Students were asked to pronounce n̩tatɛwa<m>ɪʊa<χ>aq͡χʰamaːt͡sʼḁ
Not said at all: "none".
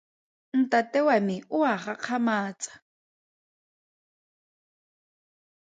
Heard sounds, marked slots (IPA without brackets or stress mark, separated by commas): m, χ